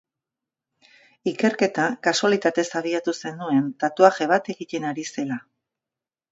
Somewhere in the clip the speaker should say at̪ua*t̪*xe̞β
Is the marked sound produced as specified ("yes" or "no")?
no